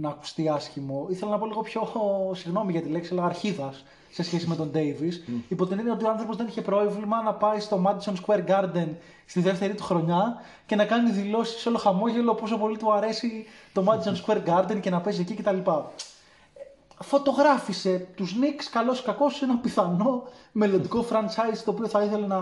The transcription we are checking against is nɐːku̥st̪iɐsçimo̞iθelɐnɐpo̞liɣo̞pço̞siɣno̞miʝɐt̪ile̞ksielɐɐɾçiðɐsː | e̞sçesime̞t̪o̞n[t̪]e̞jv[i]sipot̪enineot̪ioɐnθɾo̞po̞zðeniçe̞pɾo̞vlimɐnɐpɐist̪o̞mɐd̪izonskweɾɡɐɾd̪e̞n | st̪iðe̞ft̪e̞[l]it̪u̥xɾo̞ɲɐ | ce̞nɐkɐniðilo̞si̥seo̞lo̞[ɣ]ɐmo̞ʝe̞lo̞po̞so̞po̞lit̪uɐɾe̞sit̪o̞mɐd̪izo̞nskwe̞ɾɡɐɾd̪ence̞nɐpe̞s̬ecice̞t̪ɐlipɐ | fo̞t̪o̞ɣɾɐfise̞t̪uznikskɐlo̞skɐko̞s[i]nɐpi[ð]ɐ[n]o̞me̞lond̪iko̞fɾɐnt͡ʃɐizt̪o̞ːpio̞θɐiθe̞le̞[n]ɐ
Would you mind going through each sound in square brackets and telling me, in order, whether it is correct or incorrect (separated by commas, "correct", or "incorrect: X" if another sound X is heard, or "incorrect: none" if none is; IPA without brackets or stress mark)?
incorrect: d̪, correct, incorrect: ɾ, incorrect: x, incorrect: e, incorrect: θ, correct, correct